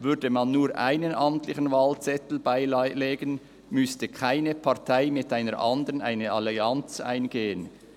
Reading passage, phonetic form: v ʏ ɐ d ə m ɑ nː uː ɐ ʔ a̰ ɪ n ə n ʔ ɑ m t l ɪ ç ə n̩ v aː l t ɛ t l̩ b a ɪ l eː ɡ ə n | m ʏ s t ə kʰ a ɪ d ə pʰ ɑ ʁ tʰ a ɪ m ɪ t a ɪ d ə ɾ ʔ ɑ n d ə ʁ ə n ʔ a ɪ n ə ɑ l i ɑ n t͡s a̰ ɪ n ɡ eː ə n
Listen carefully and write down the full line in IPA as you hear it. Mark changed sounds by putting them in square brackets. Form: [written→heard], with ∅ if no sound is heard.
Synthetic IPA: v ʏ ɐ d ə m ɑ nː uː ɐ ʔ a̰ ɪ n ə n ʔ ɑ m t l ɪ ç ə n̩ v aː l [t→t͡s] ɛ t l̩ b a ɪ l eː ɡ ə n | m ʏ s t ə kʰ a ɪ [d→n] ə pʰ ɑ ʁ tʰ a ɪ m ɪ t a ɪ [d→n] ə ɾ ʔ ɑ n d ə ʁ ə n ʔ a ɪ n ə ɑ l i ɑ n t͡s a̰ ɪ n ɡ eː ə n

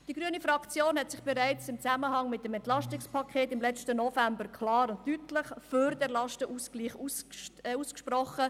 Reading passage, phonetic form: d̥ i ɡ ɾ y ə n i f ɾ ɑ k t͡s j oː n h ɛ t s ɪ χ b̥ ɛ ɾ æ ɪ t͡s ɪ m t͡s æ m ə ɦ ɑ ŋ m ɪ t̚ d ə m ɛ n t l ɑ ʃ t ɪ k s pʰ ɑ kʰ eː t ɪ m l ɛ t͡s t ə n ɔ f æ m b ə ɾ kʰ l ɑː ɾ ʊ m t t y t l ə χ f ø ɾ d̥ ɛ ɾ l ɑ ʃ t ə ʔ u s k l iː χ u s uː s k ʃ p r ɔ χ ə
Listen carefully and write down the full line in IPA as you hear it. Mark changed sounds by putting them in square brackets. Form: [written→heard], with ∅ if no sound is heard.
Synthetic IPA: d̥ i ɡ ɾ y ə n i f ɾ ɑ k t͡s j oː n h ɛ t s ɪ χ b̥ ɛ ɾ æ ɪ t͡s ɪ m t͡s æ m ə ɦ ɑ ŋ m ɪ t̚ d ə m ɛ n t l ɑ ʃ t ɪ k s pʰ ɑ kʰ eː t ɪ m l ɛ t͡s t ə n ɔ f æ m b ə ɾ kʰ l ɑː ɾ ʊ [m→n] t t y t l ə χ f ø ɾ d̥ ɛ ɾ l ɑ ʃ t ə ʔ u s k l iː χ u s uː s k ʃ p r ɔ χ ə

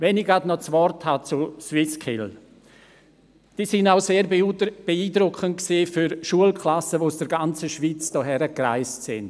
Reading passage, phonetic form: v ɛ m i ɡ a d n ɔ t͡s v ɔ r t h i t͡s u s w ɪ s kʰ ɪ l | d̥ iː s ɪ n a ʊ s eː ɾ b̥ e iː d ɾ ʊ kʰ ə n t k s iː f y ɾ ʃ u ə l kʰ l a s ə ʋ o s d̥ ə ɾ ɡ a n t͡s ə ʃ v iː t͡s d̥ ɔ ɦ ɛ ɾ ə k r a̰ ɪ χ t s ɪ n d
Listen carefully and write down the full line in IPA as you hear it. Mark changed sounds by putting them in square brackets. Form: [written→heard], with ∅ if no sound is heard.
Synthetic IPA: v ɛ [m→n] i ɡ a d n ɔ t͡s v ɔ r t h [i→a] t͡s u s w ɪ s kʰ ɪ l | d̥ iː s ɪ n a ʊ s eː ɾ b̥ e iː d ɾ ʊ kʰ ə n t k s iː f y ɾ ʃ u ə l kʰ l a s ə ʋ o s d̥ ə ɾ ɡ a n t͡s ə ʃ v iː t͡s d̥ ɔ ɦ ɛ ɾ ə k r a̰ ɪ [χ→s] t s ɪ n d

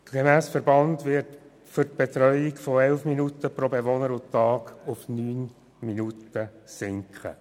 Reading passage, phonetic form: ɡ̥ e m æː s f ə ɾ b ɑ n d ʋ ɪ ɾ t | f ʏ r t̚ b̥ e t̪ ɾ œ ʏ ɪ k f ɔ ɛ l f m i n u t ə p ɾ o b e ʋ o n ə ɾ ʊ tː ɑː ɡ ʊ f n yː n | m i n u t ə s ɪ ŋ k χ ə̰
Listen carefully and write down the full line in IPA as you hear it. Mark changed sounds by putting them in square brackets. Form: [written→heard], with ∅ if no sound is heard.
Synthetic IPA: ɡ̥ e m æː s f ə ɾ b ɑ n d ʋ ɪ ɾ t | f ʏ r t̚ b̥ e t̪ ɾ œ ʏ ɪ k f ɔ ɛ l f m i n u t ə p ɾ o b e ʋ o n ə ɾ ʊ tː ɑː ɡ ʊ f n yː n | m i n u t ə s ɪ ŋ k χ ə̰

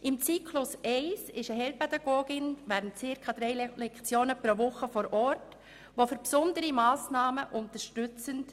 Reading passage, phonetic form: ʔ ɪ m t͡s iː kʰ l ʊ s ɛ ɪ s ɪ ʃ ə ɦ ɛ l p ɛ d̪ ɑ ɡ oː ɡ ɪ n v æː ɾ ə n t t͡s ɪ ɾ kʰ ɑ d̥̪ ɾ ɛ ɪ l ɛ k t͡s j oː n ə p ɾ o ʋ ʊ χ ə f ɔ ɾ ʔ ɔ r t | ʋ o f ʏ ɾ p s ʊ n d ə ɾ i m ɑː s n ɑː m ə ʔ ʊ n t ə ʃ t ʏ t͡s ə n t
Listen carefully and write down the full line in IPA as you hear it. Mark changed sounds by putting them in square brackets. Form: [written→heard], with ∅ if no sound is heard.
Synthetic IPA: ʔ ɪ m t͡s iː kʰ l ʊ s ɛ ɪ s ɪ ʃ ə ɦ ɛ l p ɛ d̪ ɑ ɡ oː ɡ ɪ n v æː ɾ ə n t t͡s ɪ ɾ kʰ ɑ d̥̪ ɾ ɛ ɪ l ɛ k t͡s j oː n ə p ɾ o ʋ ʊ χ ə f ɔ ɾ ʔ ɔ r t | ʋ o f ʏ ɾ p s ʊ n d ə ɾ i m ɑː s n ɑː m ə ʔ ʊ n t ə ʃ t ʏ t͡s ə n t

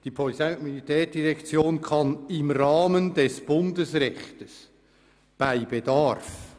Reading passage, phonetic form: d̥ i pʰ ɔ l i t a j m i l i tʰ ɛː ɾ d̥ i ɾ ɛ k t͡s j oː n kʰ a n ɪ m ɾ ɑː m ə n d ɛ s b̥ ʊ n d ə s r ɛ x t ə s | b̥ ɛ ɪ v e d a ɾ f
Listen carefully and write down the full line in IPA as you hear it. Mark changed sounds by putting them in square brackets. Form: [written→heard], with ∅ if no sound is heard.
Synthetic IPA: d̥ i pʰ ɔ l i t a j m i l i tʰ ɛː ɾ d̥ i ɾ ɛ k t͡s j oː n kʰ [a→ɑ] n ɪ m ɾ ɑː m ə n d ɛ s b̥ ʊ n d ə s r ɛ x t ə s | b̥ [ɛ→a] ɪ [v→b] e d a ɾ f

